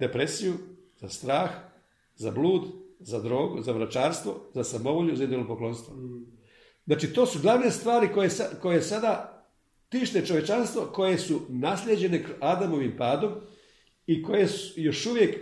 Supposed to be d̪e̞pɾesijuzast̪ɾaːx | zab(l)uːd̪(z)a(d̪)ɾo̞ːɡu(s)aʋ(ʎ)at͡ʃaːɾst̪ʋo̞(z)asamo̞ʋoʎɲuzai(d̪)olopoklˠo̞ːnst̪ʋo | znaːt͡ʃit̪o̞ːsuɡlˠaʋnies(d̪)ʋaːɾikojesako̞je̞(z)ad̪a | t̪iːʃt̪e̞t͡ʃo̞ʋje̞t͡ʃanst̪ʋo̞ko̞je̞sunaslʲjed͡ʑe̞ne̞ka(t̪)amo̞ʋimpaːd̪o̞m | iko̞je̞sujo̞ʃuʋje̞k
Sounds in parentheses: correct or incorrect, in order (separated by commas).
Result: correct, correct, correct, incorrect, incorrect, correct, correct, incorrect, incorrect, incorrect